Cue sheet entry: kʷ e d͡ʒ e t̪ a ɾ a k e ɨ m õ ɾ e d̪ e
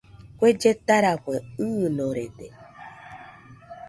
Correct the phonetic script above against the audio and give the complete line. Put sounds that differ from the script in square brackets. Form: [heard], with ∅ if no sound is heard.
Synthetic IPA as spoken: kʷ e d͡ʒ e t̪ a ɾ a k e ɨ [n] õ ɾ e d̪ e